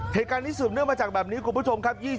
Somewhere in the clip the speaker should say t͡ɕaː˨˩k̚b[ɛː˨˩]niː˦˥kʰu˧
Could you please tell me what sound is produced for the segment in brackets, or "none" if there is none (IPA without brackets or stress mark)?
ɛː˨˩